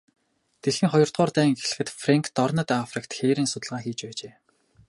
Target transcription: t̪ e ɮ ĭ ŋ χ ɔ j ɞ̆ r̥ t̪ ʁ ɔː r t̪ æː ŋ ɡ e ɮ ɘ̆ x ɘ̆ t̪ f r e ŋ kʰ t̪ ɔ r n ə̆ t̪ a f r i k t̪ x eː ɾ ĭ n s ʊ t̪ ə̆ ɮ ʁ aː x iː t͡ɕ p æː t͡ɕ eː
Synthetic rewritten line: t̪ e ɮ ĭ ŋ χ ɔ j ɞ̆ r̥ t̪ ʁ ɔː r t̪ æː ŋ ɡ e ɮ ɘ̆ x ɘ̆ t̪ f r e ŋ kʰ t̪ ɔ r n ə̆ t̪ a f r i k t̪ x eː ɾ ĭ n s ʊ t̪ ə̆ ɮ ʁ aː x iː t͡ɕ p æː t͡ɕ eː

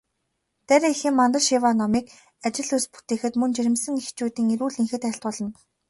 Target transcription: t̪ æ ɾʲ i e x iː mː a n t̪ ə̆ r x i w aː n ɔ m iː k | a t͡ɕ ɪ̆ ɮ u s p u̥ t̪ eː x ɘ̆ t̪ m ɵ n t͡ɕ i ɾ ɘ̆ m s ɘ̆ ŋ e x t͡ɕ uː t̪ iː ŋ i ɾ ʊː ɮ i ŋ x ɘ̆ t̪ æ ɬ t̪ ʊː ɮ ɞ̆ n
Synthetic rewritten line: t̪ æ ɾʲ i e x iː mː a n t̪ ə̆ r ʃ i w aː n ɔ m iː k | a t͡ɕ ɪ̆ ɮ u s p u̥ t̪ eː x ɘ̆ t̪ m ɵ n t͡ɕ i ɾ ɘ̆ m s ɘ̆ ŋ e x t͡ɕ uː t̪ iː ŋ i ɾ uː ɮ i ŋ x ɘ̆ t̪ æ ɬ t̪ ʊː ɮ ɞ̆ n

